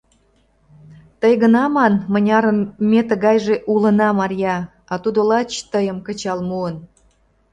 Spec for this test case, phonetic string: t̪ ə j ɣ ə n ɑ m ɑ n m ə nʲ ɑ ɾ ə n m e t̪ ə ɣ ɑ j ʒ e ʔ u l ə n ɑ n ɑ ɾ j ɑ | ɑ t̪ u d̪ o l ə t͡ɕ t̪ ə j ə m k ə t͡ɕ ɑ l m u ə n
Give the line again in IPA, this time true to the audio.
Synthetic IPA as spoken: t̪ ə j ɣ ə n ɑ m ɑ n m ə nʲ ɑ ɾ ə n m e t̪ ə ɣ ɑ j ʒ e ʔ u l ə n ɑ m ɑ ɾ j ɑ | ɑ t̪ u d̪ o l ɑ t͡ɕ t̪ ə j ə m k ə t͡ɕ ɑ l m u ə n